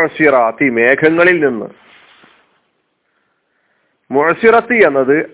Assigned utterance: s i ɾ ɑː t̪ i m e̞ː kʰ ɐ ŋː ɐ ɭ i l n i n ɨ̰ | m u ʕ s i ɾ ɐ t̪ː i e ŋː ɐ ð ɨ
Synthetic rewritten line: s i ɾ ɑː t̪ i m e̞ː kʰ ɐ ŋː ɐ ɭ i l n i nː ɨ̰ | m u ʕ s i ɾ ɐ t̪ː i e nː ɐ ð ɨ